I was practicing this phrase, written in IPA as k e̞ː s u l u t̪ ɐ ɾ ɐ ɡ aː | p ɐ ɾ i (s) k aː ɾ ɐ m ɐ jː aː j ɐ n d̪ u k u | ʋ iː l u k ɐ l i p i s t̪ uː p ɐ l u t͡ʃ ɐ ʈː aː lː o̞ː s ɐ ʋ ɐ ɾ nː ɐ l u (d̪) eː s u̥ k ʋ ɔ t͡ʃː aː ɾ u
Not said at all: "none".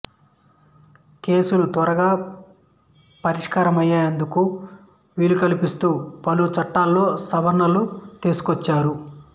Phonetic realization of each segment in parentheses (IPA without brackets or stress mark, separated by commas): ʂ, t̪